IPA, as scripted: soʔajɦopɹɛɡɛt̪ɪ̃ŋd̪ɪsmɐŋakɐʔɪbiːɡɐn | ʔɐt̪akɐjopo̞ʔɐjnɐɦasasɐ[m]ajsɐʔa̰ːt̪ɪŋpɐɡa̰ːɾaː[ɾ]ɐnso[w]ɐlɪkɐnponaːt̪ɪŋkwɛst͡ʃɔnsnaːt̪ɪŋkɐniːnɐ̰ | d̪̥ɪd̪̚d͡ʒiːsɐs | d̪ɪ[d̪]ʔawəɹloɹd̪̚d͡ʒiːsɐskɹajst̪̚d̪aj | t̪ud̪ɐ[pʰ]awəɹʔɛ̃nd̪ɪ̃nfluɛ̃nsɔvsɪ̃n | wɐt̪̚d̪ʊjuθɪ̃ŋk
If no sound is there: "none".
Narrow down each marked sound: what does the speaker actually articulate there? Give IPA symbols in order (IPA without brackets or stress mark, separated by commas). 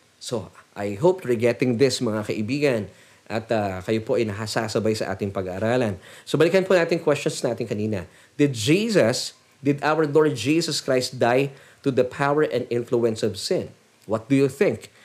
b, l, b, d̪, pʰ